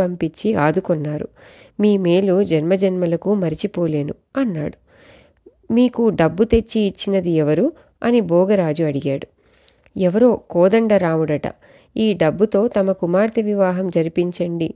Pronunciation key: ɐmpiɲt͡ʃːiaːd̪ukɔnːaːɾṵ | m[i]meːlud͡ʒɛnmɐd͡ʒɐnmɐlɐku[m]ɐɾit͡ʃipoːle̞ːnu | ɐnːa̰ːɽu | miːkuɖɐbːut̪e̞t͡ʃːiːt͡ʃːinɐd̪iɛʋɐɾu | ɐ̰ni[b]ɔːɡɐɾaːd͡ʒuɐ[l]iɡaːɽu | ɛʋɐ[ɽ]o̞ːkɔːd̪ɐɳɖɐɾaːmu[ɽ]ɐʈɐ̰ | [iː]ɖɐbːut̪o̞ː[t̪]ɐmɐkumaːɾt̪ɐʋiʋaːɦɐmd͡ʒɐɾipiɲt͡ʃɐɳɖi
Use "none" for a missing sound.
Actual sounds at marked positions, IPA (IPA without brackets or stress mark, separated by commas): iː, m, b, ɽ, ɾ, ɽ, iː, t̪